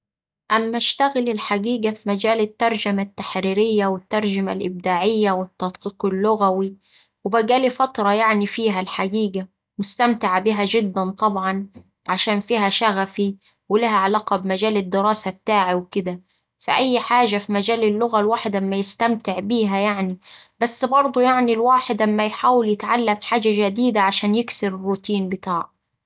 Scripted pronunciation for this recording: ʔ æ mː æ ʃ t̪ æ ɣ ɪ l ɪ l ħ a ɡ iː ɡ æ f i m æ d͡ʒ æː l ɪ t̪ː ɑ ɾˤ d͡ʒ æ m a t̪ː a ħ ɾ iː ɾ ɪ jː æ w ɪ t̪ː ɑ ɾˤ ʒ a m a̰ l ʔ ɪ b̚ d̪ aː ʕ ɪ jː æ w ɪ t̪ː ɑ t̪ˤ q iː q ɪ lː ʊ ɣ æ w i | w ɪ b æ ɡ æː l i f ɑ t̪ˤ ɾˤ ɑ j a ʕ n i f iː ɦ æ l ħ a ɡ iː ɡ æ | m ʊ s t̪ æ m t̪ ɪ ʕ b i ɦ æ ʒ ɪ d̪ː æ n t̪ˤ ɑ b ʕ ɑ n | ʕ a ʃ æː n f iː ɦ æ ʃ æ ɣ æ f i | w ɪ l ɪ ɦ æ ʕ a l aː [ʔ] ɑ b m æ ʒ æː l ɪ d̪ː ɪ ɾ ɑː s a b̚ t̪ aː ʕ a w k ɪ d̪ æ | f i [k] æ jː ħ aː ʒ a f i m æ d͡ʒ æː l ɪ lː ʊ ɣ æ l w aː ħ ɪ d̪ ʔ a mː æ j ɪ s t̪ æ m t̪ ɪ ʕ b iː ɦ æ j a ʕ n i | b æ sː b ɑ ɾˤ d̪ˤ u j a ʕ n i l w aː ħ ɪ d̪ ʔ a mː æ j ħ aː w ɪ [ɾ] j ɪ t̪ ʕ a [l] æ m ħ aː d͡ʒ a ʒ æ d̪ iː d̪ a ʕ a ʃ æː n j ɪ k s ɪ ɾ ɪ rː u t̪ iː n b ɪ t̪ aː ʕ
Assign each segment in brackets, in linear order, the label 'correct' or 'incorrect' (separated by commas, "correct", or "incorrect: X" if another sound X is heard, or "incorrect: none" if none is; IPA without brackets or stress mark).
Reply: incorrect: q, incorrect: ʔ, incorrect: l, incorrect: lː